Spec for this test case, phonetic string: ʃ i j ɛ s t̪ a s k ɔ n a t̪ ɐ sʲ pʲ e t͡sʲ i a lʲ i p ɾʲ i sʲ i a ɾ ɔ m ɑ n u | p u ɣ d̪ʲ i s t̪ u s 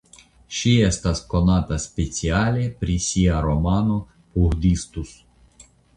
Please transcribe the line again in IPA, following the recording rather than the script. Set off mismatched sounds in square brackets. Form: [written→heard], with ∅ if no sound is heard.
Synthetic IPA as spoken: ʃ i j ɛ s t̪ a s k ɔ n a t̪ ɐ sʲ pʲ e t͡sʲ i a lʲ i p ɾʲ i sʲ i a ɾ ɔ m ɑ n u | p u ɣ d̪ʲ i s t̪ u s

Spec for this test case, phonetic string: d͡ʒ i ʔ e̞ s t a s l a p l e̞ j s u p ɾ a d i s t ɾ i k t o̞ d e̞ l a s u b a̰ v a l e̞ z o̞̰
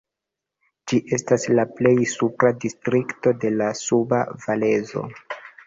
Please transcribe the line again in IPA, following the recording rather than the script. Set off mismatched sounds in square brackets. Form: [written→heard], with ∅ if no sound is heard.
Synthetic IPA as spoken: d͡ʒ i ʔ e̞ s t a s l a p l e̞ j s u p ɾ a d i s t ɾ i k t o̞ d e̞ l a s u b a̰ v a l e̞ z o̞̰

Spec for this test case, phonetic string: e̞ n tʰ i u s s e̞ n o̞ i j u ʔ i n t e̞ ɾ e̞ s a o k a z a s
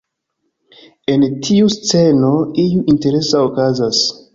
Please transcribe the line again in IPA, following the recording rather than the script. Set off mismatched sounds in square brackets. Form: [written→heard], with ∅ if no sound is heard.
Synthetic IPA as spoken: e̞ n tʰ i u s [s→t͡s] e̞ n o̞ i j u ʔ i n t e̞ ɾ e̞ s a o k a z a s

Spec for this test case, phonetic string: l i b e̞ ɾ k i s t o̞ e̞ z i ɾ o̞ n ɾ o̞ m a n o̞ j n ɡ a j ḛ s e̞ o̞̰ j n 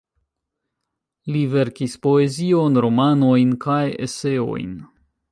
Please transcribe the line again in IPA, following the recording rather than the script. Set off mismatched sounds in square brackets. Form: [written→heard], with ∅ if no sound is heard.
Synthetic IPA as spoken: l i [b→v] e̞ ɾ k i s [t→p] o̞ e̞ z i [ɾ→∅] o̞ n ɾ o̞ m a n o̞ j n [ɡ→k] a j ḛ s e̞ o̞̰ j n

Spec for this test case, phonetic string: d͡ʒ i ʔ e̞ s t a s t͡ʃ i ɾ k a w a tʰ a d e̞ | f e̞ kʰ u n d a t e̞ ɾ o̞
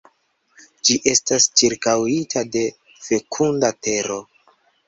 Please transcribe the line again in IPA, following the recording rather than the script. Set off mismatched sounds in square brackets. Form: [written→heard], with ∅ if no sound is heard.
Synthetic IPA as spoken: d͡ʒ i ʔ e̞ s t a s t͡ʃ i ɾ k a w [a→i] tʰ a d e̞ | f e̞ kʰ u n d a t e̞ ɾ o̞

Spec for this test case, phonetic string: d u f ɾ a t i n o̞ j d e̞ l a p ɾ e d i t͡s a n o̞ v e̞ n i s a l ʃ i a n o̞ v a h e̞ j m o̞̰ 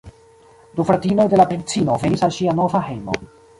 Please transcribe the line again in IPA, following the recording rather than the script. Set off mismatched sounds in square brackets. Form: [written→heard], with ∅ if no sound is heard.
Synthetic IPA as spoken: d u f ɾ a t i n o̞ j d e̞ l a p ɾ e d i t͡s [a→i] n o̞ v e̞ n i s a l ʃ i a n o̞ v a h e̞ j m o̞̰

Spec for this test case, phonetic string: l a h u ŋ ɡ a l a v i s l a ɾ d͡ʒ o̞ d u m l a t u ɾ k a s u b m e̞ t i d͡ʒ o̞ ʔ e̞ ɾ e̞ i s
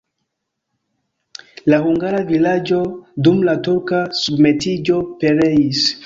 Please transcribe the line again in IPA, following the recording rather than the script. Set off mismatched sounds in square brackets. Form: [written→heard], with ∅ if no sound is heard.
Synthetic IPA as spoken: l a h u ŋ ɡ a [l→ɾ] a v i [s→∅] l a [ɾ→∅] d͡ʒ o̞ d u m l a t u ɾ k a s u b m e̞ t i d͡ʒ o̞ [ʔ→p] e̞ ɾ e̞ i s

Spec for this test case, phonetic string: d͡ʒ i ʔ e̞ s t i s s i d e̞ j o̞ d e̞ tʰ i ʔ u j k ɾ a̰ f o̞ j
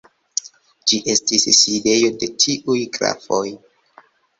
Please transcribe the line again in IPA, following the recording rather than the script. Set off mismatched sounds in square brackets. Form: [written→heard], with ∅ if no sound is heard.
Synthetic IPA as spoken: d͡ʒ i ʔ e̞ s t i s s i d e̞ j o̞ d e̞ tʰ i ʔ u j k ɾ a̰ f o̞ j

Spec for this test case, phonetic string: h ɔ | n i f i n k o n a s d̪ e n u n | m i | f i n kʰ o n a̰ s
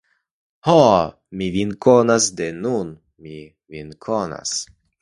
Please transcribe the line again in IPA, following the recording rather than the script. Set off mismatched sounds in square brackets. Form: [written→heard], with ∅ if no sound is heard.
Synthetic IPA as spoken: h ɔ | [n→m] i [f→v] i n k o n a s d̪ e n u n | m i | [f→v] i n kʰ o n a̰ s

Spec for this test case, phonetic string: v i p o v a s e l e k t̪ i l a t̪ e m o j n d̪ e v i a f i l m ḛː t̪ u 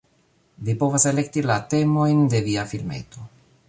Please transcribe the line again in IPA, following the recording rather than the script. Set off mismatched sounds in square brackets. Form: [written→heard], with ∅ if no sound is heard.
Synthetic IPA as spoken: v i p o v a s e l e k t̪ i l a t̪ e m o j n d̪ e v i a f i l m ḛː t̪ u

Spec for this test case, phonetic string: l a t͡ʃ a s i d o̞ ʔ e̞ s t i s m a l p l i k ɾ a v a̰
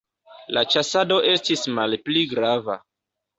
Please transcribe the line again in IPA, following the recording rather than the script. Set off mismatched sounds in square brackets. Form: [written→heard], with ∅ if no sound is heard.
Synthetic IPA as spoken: l a t͡ʃ a s [i→a] d o̞ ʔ e̞ s t i s m a l p l i [k→ɡ] ɾ a v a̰

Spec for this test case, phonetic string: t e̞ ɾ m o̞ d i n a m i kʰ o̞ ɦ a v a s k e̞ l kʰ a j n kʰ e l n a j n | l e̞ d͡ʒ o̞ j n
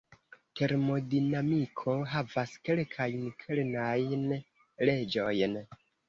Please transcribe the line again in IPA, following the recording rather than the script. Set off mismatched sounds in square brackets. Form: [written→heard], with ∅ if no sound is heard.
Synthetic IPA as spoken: t e̞ ɾ m o̞ d i n a m i kʰ o̞ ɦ a v a s k e̞ l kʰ a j n kʰ e l n a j n | l e̞ d͡ʒ o̞ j n

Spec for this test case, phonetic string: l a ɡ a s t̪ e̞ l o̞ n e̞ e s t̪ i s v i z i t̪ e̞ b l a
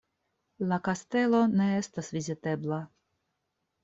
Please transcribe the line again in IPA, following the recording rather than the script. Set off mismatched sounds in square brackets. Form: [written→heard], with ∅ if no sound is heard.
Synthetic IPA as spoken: l a [ɡ→k] a s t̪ e̞ l o̞ n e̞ e s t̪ [i→a] s v i z i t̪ e̞ b l a

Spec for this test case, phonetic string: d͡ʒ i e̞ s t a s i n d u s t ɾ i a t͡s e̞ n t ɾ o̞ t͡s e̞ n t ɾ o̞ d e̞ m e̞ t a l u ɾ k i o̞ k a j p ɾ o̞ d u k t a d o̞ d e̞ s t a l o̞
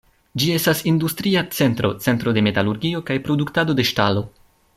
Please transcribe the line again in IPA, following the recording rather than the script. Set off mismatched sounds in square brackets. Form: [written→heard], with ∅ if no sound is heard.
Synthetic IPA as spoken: d͡ʒ i e̞ s t a s i n d u s t ɾ i a t͡s e̞ n t ɾ o̞ t͡s e̞ n t ɾ o̞ d e̞ m e̞ t a l u ɾ [k→ɡ] i o̞ k a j p ɾ o̞ d u k t a d o̞ d e̞ [s→ʃ] t a l o̞

